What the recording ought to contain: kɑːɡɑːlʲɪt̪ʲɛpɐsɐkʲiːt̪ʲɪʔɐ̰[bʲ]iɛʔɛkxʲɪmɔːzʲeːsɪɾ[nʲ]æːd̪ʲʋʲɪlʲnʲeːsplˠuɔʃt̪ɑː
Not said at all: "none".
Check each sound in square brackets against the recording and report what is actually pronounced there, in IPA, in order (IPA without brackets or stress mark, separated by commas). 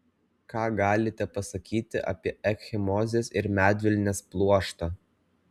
pʲ, mʲ